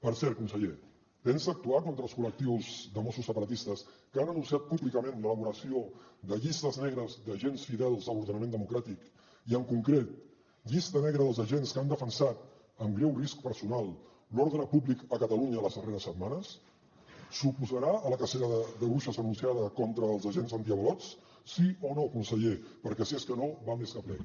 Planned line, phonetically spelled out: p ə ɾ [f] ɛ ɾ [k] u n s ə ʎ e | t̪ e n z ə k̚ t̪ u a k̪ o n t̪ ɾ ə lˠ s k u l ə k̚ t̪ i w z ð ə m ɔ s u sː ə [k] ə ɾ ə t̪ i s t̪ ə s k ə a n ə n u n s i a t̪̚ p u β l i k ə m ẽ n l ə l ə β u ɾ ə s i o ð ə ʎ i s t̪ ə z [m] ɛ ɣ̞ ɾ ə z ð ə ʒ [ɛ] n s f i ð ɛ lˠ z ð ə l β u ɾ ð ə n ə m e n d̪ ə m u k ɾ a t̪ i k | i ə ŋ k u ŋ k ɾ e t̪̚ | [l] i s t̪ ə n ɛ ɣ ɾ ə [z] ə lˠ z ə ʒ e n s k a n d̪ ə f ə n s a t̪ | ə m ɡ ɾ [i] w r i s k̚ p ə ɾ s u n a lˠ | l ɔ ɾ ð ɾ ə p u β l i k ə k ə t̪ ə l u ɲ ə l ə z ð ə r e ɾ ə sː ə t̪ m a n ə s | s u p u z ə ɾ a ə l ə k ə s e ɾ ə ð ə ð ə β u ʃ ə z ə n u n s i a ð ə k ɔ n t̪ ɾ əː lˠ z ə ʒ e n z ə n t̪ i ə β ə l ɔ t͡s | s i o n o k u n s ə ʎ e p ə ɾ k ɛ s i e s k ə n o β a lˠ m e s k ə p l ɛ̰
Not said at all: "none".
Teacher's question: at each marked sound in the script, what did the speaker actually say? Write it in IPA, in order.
s, k, p, n, e, ʎ, ð, ɛ

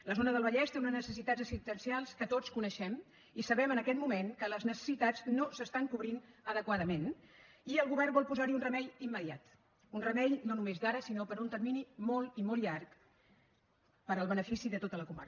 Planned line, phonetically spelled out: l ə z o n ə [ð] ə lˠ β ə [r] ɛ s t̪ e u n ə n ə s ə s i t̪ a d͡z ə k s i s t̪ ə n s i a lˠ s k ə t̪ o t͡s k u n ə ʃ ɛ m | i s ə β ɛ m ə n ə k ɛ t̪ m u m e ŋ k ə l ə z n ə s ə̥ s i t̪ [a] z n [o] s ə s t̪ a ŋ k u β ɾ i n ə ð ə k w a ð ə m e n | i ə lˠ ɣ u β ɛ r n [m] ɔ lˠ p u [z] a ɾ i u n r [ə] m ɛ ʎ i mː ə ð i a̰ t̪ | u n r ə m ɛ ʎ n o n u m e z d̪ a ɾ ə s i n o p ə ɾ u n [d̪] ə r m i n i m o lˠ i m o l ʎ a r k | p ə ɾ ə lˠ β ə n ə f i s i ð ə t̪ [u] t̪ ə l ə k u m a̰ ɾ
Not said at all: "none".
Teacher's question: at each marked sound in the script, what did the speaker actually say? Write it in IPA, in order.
ð, ʎ, a, o, b, z, ə, t̪, o

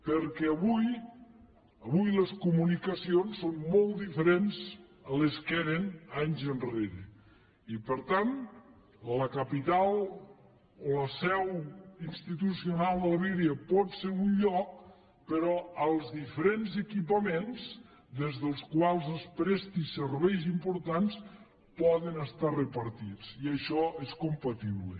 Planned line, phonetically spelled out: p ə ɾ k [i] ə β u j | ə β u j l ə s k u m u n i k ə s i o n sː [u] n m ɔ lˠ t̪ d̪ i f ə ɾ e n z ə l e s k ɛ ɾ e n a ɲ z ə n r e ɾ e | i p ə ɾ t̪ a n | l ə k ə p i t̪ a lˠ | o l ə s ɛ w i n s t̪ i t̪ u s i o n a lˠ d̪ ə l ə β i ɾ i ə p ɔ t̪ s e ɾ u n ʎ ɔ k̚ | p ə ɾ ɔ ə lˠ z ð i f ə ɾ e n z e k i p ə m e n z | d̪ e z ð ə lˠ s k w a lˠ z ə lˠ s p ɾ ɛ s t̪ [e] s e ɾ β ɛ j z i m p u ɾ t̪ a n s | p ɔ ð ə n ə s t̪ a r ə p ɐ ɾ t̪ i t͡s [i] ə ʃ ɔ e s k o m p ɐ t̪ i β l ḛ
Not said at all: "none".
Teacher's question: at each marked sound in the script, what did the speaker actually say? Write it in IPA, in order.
ɛ, o, i, i

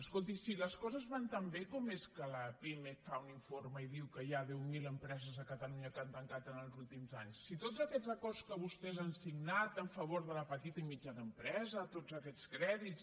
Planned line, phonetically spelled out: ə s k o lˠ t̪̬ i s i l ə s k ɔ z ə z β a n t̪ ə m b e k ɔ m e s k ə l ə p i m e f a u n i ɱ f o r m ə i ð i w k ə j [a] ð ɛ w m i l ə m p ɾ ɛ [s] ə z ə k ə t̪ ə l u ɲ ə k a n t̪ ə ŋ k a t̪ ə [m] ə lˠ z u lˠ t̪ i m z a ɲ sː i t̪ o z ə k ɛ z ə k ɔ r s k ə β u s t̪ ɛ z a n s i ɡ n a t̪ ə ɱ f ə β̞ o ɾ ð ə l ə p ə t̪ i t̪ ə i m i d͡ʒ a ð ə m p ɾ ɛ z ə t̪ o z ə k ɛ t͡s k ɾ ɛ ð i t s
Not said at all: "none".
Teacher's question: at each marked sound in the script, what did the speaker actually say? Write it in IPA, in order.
a, z, n

